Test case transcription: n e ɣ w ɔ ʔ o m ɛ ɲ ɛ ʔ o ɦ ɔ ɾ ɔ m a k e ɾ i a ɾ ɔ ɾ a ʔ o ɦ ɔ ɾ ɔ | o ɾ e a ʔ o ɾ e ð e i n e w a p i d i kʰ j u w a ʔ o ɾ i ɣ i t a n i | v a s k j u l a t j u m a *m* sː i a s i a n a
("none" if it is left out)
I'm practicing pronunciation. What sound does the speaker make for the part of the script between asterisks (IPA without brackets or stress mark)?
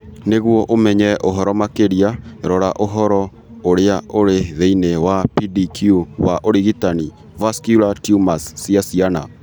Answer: none